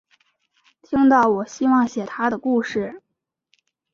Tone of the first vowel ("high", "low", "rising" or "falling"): high